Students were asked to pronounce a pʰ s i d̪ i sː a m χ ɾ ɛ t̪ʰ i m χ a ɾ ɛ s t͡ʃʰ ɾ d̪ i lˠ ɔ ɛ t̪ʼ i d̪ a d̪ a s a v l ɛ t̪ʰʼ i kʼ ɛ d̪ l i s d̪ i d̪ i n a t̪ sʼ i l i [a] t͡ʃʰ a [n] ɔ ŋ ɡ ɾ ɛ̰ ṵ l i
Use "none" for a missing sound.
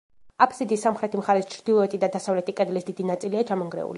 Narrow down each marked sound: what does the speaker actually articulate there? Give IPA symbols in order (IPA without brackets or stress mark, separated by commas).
a, m